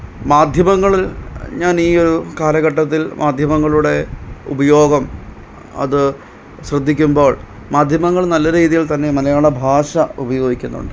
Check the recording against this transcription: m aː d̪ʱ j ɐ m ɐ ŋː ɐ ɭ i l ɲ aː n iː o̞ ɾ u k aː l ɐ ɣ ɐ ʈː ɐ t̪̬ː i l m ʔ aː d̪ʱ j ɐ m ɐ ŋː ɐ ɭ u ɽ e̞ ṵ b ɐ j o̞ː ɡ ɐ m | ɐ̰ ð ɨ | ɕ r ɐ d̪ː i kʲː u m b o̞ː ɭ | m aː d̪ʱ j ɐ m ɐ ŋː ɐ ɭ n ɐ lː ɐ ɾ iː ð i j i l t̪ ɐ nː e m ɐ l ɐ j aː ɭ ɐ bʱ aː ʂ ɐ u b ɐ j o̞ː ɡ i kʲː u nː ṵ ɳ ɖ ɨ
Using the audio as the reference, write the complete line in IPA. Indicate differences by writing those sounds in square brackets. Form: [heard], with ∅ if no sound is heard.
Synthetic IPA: m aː d̪ʱ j ɐ m ɐ ŋː ɐ ɭ i l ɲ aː n iː o̞ ɾ u k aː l ɐ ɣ ɐ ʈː ɐ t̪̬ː i l m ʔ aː d̪ʱ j ɐ m ɐ ŋː ɐ ɭ u ɽ e̞ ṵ b ɐ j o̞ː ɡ ɐ m | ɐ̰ ð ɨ | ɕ r ɐ d̪ː i kʲː u m b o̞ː ɭ | m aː d̪ʱ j ɐ m ɐ ŋː ɐ ɭ n ɐ lː ɐ ɾ iː ð i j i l t̪ ɐ nː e m ɐ l ɐ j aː ɭ ɐ bʱ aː ʂ ɐ u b ɐ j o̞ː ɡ i kʲː u nː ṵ ɳ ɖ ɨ